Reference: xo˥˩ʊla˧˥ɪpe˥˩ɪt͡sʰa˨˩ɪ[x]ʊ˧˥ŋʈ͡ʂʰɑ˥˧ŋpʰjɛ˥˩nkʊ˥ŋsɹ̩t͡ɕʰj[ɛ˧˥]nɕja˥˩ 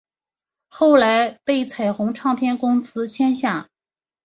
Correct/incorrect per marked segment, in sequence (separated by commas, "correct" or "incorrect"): correct, incorrect